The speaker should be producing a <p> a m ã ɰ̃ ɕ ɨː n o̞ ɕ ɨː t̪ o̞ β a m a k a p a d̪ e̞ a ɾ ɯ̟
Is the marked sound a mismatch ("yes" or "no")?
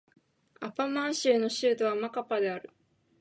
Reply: no